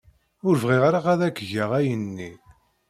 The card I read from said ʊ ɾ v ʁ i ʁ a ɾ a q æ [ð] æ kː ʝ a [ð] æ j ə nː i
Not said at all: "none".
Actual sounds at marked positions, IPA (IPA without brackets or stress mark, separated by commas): ð, ʁ